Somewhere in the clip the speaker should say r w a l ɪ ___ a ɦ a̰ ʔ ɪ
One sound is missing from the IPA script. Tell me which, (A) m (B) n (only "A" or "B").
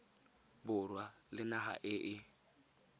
B